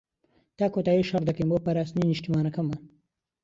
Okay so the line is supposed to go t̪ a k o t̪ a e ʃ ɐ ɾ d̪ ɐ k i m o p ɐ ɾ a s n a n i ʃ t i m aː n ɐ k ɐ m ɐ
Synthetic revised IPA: t̪ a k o t̪ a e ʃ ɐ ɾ d̪ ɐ k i m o p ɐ ɾ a s n i n i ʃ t i m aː n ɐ k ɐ m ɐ